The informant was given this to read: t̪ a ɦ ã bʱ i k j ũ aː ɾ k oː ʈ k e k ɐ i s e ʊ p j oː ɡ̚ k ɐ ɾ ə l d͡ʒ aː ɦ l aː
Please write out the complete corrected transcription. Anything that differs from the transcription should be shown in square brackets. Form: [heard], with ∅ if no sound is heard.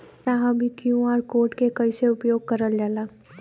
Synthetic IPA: t̪ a ɦ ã bʱ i k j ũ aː ɾ k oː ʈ k e k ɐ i s e ʊ p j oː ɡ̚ k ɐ ɾ ə l d͡ʒ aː [∅] l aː